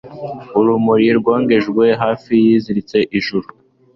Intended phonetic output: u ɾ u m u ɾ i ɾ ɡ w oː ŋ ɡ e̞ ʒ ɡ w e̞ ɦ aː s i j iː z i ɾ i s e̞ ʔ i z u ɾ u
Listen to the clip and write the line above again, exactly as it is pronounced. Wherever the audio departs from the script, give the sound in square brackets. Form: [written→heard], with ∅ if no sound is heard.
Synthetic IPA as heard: u ɾ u m u ɾ i ɾ ɡ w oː ŋ ɡ e̞ ʒ ɡ w e̞ ɦ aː [s→f] i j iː z i ɾ i [s→t͡s] e̞ ʔ i [z→ʒ] u ɾ u